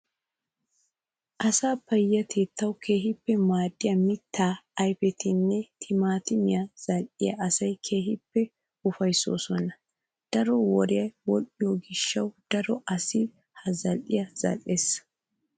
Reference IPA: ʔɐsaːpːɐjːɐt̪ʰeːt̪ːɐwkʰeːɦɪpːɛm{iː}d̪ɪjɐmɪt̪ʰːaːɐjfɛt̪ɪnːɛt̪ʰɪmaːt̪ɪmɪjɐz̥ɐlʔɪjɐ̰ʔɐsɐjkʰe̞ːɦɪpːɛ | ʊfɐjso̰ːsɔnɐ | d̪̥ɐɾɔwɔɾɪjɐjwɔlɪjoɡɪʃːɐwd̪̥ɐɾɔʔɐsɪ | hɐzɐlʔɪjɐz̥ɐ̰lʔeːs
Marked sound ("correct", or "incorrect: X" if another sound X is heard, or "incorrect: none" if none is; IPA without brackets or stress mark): incorrect: aː